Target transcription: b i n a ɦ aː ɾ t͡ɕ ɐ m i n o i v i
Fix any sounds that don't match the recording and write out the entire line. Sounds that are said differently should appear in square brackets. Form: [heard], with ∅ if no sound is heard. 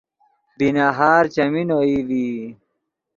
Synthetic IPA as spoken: b i n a ɦ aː ɾ t͡ɕ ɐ m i n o i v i